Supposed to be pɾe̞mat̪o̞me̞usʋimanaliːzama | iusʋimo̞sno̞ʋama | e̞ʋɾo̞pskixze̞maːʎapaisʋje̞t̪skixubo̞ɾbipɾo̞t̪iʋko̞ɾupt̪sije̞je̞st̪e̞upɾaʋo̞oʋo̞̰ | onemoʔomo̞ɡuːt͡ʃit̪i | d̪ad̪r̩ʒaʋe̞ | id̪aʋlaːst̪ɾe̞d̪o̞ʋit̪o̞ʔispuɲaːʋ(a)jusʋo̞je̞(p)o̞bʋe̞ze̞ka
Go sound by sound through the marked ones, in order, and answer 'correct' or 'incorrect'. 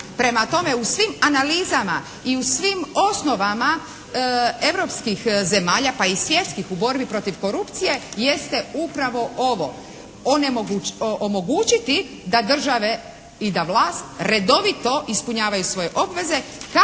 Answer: correct, incorrect: ʔ

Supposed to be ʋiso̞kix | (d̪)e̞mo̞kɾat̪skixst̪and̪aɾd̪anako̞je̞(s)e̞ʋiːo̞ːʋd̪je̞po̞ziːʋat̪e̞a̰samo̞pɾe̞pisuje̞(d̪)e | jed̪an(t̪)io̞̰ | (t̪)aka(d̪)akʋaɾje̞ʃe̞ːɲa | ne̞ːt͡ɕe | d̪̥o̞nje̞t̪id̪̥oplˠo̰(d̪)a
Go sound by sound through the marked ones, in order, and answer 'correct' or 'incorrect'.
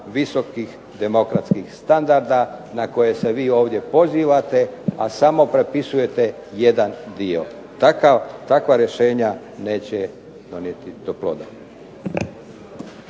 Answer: correct, correct, incorrect: t̪, incorrect: d̪, correct, incorrect: t̪, correct

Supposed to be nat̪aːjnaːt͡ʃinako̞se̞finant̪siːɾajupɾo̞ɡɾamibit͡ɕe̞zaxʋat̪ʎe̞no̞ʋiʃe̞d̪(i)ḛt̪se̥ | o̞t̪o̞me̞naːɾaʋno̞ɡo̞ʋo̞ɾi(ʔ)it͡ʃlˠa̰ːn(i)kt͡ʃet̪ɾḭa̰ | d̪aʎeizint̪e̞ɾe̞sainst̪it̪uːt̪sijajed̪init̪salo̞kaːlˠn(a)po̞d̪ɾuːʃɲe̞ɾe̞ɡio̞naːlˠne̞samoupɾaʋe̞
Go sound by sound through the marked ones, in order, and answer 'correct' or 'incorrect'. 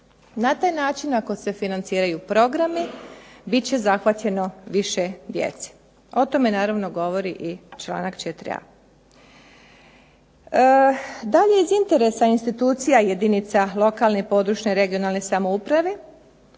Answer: incorrect: j, correct, incorrect: a, incorrect: e

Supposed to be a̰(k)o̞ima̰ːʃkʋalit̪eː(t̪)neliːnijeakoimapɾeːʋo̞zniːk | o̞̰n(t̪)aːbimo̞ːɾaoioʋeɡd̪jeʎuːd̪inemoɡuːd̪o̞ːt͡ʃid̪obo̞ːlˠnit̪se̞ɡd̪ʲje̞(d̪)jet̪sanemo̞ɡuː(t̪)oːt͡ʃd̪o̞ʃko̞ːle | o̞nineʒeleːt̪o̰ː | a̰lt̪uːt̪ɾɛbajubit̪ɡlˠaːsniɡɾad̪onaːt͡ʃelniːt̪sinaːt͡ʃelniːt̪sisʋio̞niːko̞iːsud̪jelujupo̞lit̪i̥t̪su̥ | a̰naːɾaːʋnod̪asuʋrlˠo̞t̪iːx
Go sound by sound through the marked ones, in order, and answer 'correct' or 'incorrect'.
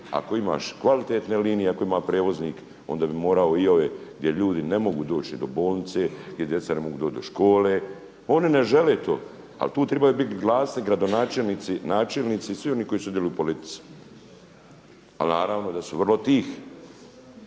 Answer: correct, correct, incorrect: d̪, correct, incorrect: d̪

